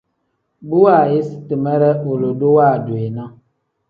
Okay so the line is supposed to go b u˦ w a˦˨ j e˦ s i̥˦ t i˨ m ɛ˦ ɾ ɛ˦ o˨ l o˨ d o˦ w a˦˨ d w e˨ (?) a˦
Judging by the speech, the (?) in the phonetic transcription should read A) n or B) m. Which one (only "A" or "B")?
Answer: A